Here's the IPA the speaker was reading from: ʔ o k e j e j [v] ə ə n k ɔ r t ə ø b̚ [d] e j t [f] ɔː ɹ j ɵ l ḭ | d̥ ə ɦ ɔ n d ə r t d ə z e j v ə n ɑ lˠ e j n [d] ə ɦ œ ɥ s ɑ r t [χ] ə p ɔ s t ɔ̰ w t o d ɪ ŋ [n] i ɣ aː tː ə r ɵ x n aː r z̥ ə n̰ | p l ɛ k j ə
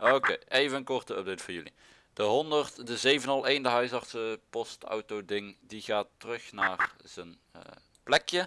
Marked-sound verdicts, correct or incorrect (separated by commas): correct, correct, correct, correct, incorrect, incorrect